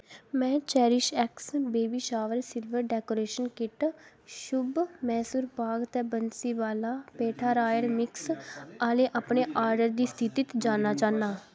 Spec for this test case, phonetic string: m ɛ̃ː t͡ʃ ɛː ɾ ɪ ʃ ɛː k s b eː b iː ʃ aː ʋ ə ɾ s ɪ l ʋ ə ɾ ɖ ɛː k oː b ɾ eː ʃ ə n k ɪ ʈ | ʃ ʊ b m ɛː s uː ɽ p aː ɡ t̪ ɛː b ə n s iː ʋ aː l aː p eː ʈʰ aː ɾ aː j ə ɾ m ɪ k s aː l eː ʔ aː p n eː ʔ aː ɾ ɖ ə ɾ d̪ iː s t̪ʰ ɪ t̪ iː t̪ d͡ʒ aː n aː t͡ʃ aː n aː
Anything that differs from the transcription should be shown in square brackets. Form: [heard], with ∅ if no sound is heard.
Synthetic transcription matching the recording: m ɛ̃ː t͡ʃ ɛː ɾ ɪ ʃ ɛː k s b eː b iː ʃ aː ʋ ə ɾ s ɪ l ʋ ə ɾ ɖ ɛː k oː [∅] ɾ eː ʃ ə n k ɪ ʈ | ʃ ʊ b m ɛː s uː [ɾ] p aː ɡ t̪ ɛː b ə n s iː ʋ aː l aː p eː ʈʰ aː ɾ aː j ə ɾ m ɪ k s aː l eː ʔ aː p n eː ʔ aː ɾ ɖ ə ɾ d̪ iː s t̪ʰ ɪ t̪ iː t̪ d͡ʒ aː n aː t͡ʃ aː n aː